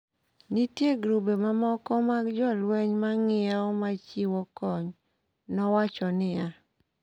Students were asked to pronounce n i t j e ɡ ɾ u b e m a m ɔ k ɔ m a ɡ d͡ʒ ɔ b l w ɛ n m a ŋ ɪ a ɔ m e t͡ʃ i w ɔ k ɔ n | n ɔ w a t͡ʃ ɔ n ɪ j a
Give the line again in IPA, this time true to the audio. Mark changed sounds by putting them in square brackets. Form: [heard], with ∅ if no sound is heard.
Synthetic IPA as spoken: n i t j e ɡ ɾ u b e m a m ɔ k ɔ m a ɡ d͡ʒ ɔ [∅] l w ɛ [ɲ] m a ŋ ɪ a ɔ m [a] t͡ʃ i w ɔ k ɔ [ɲ] | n ɔ w a t͡ʃ ɔ n ɪ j a